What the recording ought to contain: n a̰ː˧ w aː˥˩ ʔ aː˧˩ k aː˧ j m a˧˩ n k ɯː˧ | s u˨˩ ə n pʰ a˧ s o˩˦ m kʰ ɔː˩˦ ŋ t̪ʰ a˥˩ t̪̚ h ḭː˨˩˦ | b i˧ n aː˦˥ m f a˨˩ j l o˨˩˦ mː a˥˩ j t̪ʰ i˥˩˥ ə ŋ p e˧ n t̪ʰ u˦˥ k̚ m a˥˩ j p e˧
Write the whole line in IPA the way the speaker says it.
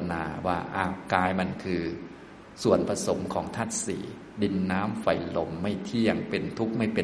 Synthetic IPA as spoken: n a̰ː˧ w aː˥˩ ʔ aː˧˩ k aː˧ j m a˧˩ n kʰ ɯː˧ | s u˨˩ ə n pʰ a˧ s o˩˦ m kʰ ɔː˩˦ ŋ t̪ʰ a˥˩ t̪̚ s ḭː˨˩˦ | d i˧ nː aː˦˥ m f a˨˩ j l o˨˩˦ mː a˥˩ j t̪ʰ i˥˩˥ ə ŋ p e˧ n t̪ʰ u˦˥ k̚ m a˥˩ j p e˧